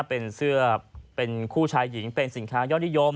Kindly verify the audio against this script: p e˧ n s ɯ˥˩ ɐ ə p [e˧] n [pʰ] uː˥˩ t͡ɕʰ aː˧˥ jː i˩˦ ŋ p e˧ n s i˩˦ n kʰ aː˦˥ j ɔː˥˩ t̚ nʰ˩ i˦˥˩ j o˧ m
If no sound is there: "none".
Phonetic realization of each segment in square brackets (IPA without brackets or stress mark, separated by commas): e˧, kʰ